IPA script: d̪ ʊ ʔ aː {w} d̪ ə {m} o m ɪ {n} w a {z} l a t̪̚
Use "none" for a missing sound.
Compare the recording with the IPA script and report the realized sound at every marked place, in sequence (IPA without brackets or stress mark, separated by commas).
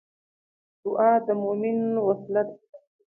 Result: none, m, n, s